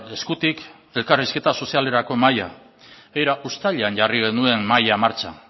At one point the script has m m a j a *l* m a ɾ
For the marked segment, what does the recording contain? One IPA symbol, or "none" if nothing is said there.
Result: none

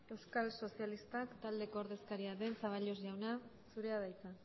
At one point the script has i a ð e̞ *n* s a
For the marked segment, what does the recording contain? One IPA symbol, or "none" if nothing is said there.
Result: n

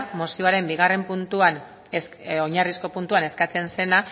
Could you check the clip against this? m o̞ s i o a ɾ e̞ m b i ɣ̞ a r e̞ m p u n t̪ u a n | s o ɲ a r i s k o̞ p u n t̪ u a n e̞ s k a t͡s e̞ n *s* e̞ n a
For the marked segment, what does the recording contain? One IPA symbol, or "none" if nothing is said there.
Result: s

